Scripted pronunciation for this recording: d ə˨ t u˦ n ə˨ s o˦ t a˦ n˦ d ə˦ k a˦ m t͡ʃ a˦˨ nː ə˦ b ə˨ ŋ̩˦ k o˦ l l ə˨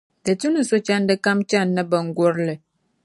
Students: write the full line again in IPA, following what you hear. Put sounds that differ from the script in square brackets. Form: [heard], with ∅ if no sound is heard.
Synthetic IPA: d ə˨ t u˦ n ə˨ s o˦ [t͡ʃ] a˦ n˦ d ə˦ k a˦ m t͡ʃ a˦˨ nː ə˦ b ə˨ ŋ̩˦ [ɡ] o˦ [ɾ] l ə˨